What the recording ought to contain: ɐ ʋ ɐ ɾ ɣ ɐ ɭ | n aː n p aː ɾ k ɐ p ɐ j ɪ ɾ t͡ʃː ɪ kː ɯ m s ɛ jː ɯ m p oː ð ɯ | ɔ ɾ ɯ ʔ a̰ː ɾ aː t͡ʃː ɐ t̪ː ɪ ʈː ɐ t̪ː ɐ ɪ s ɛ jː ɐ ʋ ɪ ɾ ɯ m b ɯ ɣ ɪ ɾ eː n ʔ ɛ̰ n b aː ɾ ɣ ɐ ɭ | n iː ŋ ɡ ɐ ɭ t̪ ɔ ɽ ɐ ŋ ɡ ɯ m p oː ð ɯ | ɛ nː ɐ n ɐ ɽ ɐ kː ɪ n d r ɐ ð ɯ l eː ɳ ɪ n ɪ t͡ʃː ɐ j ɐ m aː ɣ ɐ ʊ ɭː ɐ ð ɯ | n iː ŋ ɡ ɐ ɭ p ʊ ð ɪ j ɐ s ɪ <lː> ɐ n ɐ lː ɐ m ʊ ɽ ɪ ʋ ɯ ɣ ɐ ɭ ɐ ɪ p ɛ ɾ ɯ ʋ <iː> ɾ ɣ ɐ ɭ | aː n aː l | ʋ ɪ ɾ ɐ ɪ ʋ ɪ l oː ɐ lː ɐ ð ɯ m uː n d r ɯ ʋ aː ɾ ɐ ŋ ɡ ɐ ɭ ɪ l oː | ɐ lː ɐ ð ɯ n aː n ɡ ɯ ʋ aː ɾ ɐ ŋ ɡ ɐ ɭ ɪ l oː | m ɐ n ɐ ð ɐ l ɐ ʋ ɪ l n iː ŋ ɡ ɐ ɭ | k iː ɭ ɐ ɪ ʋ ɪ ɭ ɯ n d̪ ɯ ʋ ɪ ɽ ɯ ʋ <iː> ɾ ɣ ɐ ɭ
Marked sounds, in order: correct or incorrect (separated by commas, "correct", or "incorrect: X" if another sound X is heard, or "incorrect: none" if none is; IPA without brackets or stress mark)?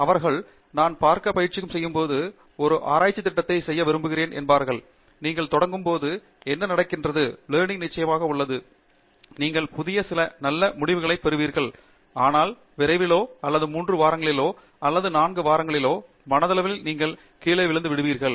incorrect: l, correct, correct